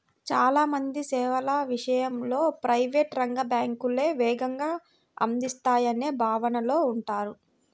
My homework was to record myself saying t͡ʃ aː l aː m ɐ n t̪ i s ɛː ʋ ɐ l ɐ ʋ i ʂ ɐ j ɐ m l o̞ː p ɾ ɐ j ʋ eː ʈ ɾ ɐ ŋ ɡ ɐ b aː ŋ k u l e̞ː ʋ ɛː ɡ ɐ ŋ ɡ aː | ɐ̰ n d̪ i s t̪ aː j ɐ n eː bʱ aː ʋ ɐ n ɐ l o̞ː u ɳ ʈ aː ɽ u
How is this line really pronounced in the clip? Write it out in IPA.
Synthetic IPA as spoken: t͡ʃ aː l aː m ɐ n d̪ i s ɛː ʋ ɐ l ɐ ʋ i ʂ ɐ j ɐ m l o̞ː p ɾ ɐ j ʋ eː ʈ ɾ ɐ ŋ ɡ ɐ b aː ŋ k u l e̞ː ʋ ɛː ɡ ɐ ŋ ɡ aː | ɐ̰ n d̪ i s t̪ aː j ɐ n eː bʱ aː ʋ ɐ n ɐ l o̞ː u ɳ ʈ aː ɾ u